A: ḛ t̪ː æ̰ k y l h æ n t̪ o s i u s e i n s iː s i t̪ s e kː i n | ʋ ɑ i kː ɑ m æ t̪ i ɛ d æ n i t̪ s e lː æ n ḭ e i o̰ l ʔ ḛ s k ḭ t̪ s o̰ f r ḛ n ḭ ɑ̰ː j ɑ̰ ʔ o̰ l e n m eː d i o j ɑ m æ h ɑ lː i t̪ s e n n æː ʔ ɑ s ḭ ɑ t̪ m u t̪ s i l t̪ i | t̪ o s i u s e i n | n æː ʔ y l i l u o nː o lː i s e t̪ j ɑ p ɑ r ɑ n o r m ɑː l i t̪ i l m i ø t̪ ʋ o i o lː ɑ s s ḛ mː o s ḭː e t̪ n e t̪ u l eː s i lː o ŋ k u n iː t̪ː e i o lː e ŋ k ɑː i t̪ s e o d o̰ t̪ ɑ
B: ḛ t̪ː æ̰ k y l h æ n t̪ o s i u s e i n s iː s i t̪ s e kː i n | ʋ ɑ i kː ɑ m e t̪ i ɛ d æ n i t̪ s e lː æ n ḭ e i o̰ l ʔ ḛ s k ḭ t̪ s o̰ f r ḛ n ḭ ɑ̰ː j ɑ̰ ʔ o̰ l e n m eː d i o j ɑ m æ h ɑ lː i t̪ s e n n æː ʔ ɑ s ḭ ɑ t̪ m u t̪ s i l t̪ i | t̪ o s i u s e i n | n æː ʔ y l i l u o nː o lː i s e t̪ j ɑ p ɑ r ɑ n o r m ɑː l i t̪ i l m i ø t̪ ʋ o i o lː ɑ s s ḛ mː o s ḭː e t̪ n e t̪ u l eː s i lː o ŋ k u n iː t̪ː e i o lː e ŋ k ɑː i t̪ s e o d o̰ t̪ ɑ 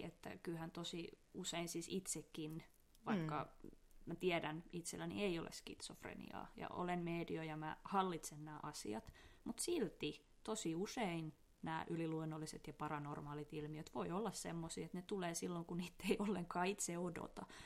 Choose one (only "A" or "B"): A